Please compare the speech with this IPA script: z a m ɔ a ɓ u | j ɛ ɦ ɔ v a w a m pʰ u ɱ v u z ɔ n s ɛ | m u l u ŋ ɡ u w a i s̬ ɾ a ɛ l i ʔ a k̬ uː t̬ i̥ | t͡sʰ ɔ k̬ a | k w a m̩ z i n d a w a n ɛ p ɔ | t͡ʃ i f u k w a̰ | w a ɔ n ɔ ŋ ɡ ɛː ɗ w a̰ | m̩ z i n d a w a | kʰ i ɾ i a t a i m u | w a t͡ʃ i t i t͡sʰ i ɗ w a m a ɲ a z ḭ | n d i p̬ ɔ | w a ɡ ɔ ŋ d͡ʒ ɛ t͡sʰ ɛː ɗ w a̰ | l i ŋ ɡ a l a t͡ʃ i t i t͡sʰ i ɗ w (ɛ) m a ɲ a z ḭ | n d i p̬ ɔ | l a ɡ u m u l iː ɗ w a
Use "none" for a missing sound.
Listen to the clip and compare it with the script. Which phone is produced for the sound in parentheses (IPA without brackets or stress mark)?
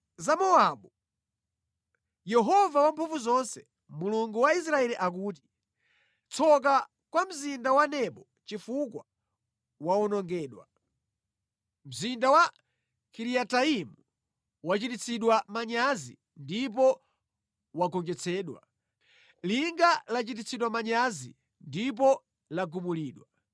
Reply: a